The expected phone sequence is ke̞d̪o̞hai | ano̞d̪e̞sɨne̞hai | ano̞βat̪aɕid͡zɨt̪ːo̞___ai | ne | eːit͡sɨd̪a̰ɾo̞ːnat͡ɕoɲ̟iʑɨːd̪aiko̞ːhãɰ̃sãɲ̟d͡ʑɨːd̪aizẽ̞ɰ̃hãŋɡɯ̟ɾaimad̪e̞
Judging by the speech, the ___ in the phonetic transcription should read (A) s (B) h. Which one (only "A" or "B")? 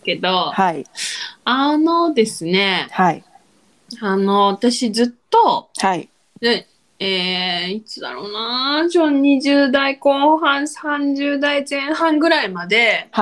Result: B